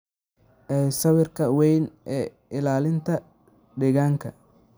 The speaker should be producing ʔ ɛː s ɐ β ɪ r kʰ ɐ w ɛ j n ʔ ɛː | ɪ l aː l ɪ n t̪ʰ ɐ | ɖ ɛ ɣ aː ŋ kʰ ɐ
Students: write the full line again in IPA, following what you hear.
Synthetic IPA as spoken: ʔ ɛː s ɐ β ɪ r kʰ ɐ w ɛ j n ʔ ɛː | ɪ l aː l ɪ n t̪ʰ ɐ | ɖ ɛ ɣ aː ŋ kʰ ɐ